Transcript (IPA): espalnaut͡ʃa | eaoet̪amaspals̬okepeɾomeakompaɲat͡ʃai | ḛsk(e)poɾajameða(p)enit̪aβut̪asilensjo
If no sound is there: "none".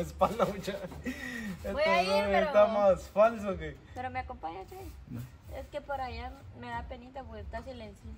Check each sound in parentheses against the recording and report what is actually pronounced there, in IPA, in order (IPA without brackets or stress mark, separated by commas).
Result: e, p